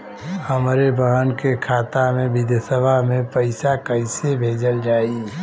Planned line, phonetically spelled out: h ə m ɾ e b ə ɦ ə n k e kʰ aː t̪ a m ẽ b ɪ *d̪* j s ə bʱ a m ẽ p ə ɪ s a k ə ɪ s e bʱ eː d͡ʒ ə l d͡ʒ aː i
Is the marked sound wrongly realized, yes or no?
no